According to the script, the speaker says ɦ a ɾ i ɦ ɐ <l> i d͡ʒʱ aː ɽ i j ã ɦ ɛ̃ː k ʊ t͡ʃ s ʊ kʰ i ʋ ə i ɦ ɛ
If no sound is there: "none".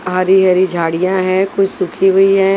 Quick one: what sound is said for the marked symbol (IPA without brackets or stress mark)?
ɾ